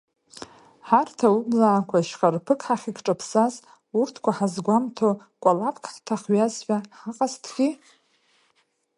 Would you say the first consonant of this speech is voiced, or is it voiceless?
voiceless